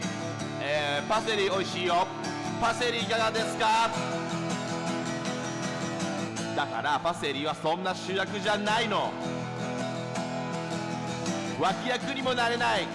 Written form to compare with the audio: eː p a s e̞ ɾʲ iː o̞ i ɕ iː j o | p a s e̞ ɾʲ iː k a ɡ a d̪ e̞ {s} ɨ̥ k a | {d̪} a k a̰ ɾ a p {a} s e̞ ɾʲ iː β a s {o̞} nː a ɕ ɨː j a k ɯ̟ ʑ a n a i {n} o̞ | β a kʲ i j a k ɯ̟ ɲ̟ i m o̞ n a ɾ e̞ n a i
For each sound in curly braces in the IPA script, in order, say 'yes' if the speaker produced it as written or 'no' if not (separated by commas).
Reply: yes, yes, yes, no, yes